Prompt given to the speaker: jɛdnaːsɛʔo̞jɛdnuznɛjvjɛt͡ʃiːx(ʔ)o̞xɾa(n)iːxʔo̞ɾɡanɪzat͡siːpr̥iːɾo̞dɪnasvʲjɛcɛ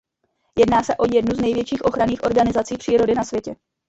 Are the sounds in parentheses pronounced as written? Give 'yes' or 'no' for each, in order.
yes, yes

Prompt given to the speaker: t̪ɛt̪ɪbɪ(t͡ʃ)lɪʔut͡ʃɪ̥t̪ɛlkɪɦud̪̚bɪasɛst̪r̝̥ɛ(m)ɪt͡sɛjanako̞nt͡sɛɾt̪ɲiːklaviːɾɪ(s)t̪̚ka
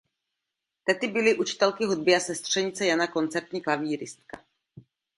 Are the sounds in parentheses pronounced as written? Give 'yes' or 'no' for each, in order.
no, no, yes

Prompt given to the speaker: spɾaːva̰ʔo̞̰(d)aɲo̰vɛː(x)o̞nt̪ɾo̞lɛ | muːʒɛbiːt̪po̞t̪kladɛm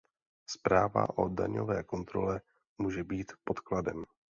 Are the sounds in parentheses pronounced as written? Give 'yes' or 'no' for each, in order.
yes, no

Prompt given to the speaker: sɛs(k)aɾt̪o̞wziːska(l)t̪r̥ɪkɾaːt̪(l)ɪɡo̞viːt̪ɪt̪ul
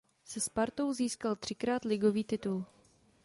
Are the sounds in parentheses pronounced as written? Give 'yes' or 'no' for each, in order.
no, yes, yes

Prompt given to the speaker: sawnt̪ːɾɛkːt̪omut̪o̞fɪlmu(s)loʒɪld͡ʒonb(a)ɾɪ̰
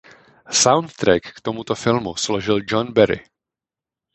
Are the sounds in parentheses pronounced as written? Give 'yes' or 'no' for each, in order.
yes, no

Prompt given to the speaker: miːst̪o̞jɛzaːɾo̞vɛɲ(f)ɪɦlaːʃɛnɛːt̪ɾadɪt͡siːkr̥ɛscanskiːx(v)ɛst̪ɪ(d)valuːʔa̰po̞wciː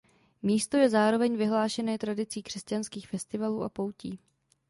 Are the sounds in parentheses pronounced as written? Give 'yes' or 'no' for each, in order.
no, no, no

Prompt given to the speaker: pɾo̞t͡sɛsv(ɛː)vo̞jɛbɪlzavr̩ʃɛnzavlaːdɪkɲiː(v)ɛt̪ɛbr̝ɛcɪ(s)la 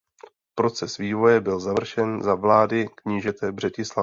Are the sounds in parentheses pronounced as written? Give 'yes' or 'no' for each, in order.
no, no, yes

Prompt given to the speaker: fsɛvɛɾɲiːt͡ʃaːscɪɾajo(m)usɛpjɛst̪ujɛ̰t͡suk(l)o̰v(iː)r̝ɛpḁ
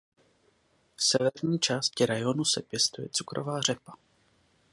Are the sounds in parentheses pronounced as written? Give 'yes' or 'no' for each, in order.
no, no, no

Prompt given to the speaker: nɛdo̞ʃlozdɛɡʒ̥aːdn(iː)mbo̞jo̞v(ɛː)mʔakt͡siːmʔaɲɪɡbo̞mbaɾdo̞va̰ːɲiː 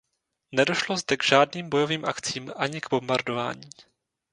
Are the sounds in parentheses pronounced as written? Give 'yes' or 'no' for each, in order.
yes, no

